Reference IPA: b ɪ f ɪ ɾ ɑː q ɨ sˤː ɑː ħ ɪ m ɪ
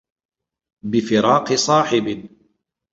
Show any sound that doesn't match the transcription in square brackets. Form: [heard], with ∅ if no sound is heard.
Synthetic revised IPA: b ɪ f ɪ ɾ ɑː q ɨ [sˤ] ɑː ħ ɪ [b] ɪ